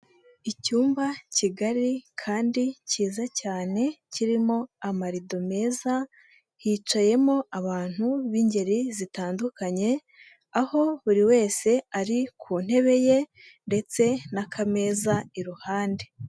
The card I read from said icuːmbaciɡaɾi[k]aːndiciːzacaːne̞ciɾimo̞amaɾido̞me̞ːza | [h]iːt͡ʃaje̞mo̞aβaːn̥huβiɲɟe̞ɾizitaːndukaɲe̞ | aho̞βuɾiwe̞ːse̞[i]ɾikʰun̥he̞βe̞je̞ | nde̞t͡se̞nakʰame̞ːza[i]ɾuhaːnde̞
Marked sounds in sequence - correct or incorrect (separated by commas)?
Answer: incorrect, correct, incorrect, correct